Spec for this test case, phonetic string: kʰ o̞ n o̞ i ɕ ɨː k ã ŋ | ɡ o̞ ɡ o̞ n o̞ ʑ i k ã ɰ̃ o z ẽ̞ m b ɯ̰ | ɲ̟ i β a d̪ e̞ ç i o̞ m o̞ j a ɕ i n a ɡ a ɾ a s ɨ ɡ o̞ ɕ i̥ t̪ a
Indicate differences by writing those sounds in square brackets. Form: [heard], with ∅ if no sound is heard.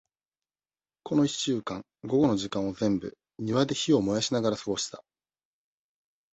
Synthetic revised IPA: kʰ o̞ n o̞ i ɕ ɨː k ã ŋ | ɡ o̞ ɡ o̞ n o̞ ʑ i k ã ɰ̃ o z ẽ̞ m b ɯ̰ | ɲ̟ i β a d̪ e̞ ç i o̞ m o̞ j a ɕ i n a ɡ a ɾ a s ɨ ɡ o̞ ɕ i̥ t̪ a